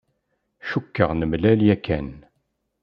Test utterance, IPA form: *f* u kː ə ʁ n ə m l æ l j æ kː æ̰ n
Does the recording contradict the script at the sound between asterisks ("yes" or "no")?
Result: yes